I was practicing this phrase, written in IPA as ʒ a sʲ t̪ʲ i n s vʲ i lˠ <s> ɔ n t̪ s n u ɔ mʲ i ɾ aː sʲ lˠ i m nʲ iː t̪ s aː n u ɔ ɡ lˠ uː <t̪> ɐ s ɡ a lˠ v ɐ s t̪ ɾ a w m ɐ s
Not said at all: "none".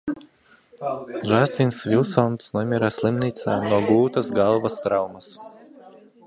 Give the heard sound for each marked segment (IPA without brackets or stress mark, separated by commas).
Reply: s, t̪